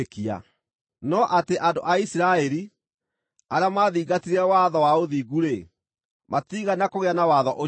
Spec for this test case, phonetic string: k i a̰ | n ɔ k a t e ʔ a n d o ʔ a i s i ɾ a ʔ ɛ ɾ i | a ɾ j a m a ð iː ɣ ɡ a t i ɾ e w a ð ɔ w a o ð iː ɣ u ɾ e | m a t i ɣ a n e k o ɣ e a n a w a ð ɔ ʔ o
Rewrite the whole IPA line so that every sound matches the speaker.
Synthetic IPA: k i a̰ | n ɔ ʔ a t e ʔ a n d o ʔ a i s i ɾ a ɛ ɾ i | a ɾ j a m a ð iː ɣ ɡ a t i ɾ ɛ w a ð ɔ w a o ð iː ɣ u ɾ e | m a t i ɣ a n a k o ɣ e a n a w a ð ɔ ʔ o